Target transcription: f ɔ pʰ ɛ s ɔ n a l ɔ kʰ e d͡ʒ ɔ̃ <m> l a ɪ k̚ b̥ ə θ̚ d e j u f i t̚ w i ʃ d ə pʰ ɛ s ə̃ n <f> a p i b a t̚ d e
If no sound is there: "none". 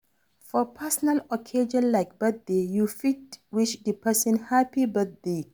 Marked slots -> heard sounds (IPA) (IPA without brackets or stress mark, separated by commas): n, h